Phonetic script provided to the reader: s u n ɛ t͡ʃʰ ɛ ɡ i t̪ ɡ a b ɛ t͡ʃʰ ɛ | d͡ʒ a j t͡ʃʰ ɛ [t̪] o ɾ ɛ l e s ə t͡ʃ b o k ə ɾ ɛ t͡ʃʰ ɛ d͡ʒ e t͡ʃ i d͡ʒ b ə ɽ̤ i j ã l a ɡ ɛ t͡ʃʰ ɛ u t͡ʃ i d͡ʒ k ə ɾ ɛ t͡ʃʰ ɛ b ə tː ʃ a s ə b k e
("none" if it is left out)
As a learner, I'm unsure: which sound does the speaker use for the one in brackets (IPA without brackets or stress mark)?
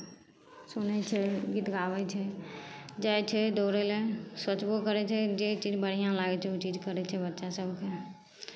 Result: d̪